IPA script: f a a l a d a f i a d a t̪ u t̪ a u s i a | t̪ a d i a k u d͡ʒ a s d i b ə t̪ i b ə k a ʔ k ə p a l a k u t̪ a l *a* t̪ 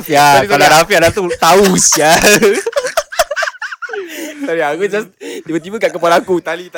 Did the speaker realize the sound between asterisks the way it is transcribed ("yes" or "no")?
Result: no